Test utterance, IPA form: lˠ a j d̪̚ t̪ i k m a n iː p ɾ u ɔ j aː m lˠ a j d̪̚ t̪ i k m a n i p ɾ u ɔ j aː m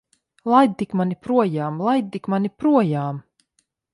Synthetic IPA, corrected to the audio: lˠ a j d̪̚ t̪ i k m a n i p ɾ u ɔ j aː m lˠ a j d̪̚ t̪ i k m a n i p ɾ u ɔ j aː m